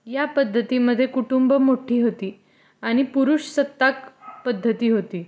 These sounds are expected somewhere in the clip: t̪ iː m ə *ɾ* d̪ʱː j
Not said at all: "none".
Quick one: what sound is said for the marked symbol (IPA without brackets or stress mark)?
none